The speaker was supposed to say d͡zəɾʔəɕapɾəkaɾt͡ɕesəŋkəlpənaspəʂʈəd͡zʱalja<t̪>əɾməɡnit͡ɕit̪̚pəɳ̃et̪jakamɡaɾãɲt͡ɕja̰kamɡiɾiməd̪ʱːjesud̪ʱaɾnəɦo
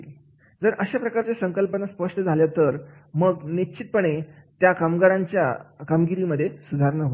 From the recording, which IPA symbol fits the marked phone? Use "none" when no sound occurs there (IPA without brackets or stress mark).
t̪